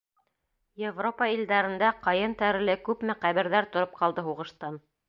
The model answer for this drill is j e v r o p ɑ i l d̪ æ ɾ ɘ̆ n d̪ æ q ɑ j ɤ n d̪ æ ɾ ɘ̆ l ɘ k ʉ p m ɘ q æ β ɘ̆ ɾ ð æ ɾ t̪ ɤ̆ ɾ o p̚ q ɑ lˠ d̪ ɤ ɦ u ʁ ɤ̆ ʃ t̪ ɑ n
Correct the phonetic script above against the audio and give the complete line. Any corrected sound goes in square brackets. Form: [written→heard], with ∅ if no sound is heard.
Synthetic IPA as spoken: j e v r o p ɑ i l d̪ æ ɾ ɘ̆ n d̪ æ q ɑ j ɤ n [d̪→t̪] æ ɾ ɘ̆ l ɘ k ʉ p m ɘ q æ β ɘ̆ ɾ ð æ ɾ t̪ [ɤ̆→ŏ] ɾ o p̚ q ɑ lˠ d̪ ɤ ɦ u ʁ ɤ̆ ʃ t̪ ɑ n